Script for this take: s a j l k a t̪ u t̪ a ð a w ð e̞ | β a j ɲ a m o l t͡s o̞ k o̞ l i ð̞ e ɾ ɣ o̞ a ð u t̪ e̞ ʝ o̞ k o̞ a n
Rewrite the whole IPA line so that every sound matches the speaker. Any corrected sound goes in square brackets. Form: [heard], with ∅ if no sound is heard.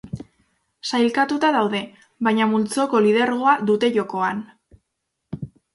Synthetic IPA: s a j l k a t̪ u t̪ a ð a w ð e̞ | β a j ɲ a m [u] l t͡s o̞ k o̞ l i ð̞ e ɾ ɣ o̞ a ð u t̪ e̞ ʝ o̞ k o̞ a n

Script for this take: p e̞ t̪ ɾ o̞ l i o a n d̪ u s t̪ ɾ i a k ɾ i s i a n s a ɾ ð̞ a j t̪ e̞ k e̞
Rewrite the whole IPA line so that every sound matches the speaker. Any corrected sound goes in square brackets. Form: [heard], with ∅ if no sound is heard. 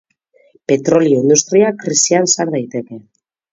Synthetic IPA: p e̞ t̪ ɾ o̞ l i o [i] n d̪ u s t̪ ɾ i a k ɾ i s i a n s a ɾ ð̞ a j t̪ e̞ k e̞

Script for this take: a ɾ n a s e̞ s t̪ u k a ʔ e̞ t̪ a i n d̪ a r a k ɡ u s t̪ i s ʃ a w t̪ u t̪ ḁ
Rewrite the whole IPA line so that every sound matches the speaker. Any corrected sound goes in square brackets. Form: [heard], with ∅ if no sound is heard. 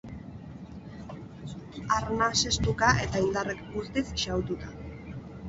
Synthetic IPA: a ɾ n a s e̞ s t̪ u k a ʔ e̞ t̪ a i n d̪ a r [e] k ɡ u s t̪ i s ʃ a w t̪ u t̪ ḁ

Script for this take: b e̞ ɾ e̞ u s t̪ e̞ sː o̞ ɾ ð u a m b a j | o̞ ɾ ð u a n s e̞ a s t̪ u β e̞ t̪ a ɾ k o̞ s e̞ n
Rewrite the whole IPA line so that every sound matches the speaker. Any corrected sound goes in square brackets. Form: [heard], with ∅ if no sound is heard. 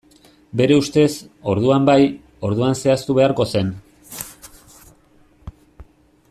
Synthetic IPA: b e̞ ɾ e̞ u s t̪ e̞ [s] o̞ ɾ ð u a m b a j | o̞ ɾ ð u a n s e̞ a s t̪ u β e̞ [∅] a ɾ k o̞ s e̞ n

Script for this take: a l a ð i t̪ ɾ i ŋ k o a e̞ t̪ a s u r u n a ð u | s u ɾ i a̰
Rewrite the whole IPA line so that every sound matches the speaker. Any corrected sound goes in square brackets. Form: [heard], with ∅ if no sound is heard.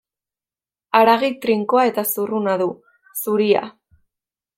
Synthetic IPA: a [ɾ] a [ɣ] i t̪ ɾ i ŋ k o a e̞ t̪ a s u r u n a ð u | s u ɾ i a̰

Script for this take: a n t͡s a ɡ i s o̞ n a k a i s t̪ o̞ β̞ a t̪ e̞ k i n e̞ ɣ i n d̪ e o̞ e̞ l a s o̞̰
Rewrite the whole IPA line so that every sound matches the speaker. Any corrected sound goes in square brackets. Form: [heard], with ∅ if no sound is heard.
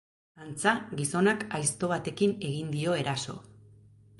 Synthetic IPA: a n t͡s a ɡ i s o̞ n a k a [j] s t̪ o̞ β̞ a t̪ e̞ k i n e̞ ɣ i n d̪ [i] o̞ e̞ [ɾ] a s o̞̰

